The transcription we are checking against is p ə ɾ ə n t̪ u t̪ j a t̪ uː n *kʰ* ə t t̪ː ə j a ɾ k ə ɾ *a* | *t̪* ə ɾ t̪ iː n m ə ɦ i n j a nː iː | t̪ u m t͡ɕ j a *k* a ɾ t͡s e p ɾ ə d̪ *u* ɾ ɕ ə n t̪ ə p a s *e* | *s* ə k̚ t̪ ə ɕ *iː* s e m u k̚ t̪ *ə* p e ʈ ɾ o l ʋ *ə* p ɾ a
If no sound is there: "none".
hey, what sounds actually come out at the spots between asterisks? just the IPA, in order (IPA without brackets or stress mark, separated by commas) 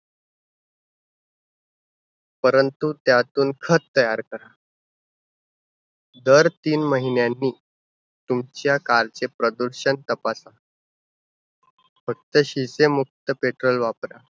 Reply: kʰ, a, d̪, k, u, a, f, i, ə, a